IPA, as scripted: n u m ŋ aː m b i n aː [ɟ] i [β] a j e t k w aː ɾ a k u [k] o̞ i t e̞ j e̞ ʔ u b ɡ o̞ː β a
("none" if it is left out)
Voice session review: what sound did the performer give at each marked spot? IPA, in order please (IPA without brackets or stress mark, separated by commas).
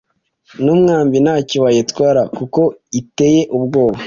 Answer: c, w, k